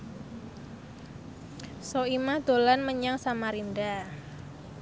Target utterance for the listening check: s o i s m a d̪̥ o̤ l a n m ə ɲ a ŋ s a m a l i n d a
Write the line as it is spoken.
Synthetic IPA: s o i m a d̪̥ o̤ l a n m ə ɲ a ŋ s a m a ɾ i n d a